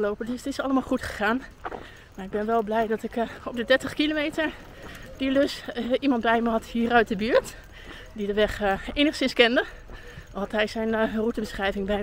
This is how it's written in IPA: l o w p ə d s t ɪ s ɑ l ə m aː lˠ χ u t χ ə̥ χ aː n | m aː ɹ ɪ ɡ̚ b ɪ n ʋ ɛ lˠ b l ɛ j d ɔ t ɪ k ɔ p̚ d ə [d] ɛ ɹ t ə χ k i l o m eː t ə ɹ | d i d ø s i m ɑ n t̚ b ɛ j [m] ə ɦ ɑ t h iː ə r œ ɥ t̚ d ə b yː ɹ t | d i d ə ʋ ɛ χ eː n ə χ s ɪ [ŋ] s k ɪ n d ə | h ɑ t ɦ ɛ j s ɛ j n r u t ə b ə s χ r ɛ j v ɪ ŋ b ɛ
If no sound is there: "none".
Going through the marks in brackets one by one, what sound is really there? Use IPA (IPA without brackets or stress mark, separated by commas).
d, m, n